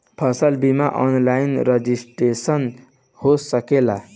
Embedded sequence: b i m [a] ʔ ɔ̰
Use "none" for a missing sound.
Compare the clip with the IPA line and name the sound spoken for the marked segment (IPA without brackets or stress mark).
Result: a